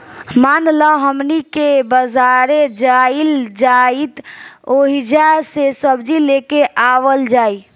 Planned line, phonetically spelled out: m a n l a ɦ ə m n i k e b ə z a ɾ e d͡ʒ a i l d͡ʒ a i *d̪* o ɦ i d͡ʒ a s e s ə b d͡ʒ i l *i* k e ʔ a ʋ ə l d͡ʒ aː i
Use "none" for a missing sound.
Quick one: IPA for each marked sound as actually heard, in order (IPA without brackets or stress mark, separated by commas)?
t̪, e